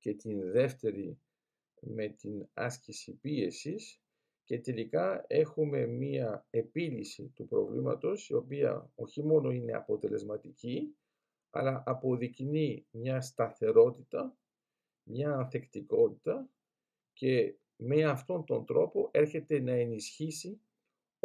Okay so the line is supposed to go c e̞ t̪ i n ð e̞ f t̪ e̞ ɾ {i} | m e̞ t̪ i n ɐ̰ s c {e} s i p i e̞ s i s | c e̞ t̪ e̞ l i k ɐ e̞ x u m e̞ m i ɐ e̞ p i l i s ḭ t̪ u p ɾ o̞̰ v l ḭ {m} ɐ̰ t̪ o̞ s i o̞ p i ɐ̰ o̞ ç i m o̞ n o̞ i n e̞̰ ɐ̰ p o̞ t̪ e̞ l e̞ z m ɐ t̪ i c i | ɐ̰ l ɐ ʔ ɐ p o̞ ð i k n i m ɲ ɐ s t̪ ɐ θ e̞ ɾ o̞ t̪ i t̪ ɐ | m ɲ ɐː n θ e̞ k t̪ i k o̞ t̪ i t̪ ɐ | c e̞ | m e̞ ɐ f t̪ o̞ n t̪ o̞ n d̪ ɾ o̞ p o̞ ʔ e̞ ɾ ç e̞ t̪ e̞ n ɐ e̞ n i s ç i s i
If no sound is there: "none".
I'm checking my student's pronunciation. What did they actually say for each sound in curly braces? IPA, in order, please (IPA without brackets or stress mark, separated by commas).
i, i, m